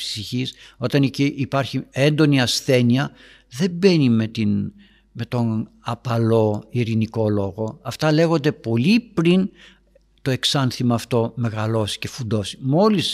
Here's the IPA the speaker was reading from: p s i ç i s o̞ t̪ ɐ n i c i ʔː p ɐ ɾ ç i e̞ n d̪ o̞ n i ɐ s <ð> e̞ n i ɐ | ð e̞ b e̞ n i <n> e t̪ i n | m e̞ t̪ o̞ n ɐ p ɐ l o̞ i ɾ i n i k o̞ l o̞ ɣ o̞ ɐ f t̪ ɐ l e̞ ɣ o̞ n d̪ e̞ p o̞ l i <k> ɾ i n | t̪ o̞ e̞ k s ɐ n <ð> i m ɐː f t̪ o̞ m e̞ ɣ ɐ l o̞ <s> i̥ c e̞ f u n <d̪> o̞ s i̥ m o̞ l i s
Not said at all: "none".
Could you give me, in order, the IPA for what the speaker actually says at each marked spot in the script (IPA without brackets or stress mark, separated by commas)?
θ, m, p, θ, s, d̪